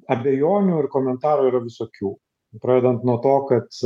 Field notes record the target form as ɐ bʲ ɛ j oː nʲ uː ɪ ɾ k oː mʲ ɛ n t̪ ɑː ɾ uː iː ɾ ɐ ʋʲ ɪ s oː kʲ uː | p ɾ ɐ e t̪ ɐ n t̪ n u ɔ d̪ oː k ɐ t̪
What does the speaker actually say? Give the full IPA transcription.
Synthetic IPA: ɐ bʲ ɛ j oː nʲ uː ɪ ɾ k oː mʲ ɛ n t̪ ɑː ɾ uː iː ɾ ɐ ʋʲ ɪ s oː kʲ uː | p ɾ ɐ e d̪ ɐ n t̪ n u ɔ t̪ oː k ɐ t̪